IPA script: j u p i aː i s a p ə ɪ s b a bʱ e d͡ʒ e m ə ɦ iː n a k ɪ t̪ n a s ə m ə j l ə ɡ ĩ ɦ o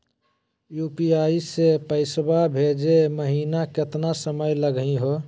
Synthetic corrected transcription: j u p i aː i s e p ə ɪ s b a bʱ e d͡ʒ e m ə ɦ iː n a k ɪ t̪ n a s ə m ə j l ə ɡ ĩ ɦ o

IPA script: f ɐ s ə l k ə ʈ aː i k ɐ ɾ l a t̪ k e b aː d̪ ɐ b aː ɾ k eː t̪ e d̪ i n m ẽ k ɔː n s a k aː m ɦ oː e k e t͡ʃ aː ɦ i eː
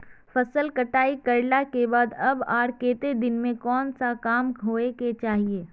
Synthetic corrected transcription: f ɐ s ə l k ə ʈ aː i k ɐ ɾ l a k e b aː d̪ ɐ b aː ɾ k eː t̪ e d̪ ɪ n m ẽ k ɔː n s a k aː m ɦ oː e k e t͡ʃ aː ɦ i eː

